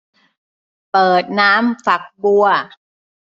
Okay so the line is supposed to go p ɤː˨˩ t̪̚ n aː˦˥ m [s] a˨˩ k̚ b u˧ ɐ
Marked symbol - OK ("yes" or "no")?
no